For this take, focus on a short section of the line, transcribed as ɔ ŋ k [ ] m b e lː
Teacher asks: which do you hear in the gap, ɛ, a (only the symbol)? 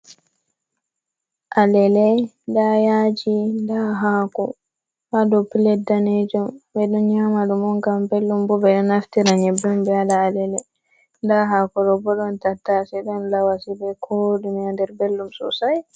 a